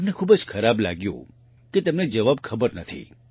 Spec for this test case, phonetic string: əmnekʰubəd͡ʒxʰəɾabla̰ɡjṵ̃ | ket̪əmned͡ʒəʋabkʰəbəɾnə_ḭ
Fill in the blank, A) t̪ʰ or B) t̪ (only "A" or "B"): A